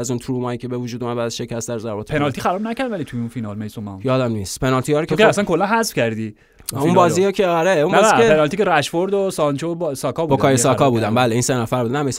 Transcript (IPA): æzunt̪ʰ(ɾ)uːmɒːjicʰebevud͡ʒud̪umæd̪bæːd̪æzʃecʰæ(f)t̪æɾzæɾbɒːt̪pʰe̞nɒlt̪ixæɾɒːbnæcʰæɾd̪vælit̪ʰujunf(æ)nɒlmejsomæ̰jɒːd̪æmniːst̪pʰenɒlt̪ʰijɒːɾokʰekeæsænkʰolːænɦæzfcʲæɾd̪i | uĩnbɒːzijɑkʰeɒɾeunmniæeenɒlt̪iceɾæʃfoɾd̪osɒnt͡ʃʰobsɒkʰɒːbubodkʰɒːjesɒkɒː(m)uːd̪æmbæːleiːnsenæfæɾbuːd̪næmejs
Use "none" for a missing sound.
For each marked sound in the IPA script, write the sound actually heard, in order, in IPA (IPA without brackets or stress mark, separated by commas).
ɾ, s, i, b